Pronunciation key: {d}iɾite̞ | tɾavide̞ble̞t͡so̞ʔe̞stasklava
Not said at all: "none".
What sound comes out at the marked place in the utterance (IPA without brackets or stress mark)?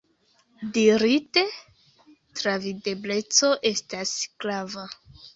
d